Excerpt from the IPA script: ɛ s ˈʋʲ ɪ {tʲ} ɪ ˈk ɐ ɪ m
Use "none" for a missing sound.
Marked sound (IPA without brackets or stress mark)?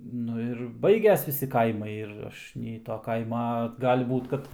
sʲ